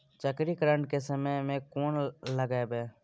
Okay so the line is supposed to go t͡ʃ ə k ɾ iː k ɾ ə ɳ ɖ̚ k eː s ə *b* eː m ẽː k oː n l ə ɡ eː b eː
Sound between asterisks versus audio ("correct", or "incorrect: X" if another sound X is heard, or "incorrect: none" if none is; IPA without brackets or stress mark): incorrect: m